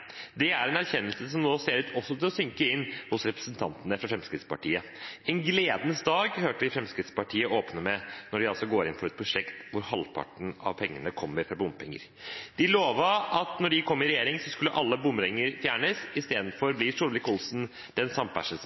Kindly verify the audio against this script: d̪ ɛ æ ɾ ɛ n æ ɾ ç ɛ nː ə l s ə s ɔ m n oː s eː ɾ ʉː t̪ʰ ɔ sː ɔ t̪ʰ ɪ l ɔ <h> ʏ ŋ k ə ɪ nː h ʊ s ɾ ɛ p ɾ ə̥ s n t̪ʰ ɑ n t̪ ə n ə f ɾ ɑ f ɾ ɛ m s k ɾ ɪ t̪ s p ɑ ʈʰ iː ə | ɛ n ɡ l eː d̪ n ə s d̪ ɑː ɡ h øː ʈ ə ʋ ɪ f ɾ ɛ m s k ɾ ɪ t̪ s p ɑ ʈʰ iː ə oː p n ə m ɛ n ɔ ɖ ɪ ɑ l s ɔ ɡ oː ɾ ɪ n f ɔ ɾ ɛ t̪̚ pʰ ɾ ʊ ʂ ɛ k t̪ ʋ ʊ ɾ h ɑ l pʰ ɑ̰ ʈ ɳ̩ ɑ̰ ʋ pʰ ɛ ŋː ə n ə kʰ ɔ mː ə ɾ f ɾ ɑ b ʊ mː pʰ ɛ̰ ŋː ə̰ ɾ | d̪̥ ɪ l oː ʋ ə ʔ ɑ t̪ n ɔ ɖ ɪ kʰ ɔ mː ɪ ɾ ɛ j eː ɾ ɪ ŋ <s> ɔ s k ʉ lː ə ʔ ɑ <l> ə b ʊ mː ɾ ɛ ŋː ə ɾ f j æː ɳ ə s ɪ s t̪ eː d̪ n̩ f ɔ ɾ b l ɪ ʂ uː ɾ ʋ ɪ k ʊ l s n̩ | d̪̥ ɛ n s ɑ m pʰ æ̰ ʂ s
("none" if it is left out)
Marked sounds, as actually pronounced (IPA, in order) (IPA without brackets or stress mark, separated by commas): s, s, lː